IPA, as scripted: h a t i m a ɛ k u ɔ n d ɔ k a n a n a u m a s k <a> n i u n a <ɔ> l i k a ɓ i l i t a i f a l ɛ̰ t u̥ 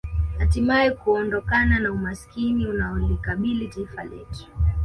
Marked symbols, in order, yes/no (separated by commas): no, yes